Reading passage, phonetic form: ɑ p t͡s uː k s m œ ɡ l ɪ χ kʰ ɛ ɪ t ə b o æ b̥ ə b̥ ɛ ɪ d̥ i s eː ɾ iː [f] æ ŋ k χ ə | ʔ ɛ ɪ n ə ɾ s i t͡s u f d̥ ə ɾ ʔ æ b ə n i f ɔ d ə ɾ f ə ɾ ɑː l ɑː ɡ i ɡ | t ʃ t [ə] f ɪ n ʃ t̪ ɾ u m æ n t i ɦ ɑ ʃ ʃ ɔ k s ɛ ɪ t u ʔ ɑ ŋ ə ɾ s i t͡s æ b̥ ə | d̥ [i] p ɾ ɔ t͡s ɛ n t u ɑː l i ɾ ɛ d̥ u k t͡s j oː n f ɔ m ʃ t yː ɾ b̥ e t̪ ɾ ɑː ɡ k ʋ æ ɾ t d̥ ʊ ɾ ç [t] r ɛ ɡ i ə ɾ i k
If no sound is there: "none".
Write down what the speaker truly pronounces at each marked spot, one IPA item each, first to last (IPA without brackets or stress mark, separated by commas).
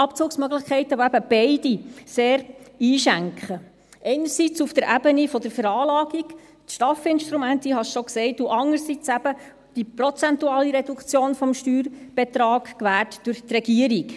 ʃ, ɑ, i, t